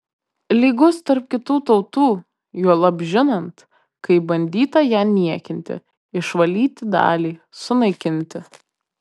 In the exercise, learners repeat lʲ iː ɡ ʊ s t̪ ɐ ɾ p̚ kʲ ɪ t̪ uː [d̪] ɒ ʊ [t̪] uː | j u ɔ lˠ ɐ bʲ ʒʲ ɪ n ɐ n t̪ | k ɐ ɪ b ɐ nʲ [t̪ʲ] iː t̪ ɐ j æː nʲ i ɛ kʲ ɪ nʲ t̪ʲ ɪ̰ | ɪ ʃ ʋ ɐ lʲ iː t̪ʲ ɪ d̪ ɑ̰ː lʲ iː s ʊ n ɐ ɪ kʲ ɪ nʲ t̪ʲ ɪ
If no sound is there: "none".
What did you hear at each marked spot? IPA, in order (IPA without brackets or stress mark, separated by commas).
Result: t̪, t̪, d̪ʲ